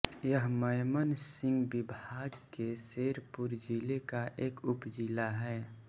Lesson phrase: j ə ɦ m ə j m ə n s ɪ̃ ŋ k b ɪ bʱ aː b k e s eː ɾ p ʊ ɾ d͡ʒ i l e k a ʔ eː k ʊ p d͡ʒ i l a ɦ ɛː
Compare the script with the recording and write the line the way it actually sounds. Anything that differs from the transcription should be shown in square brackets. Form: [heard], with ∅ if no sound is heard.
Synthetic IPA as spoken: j ə ɦ m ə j m ə n s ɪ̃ ŋ [ɡ] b ɪ bʱ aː [ɡ] k e s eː ɾ p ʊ ɾ d͡ʒ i l e k a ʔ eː k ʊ p d͡ʒ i l a ɦ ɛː